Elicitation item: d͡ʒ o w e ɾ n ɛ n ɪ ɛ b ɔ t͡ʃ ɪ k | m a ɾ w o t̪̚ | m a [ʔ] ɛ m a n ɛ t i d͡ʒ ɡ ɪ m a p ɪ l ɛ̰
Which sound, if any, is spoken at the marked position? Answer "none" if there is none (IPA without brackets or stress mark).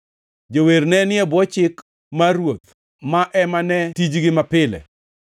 ʔ